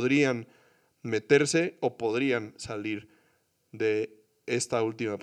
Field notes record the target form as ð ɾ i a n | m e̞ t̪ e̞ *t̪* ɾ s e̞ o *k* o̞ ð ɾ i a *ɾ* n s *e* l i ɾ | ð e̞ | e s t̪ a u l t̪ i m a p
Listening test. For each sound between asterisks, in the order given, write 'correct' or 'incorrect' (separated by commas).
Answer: incorrect, incorrect, incorrect, incorrect